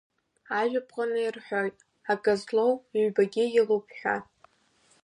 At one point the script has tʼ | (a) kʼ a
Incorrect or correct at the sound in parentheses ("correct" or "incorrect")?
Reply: correct